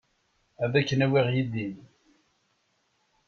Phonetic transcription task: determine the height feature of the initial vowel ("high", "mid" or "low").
low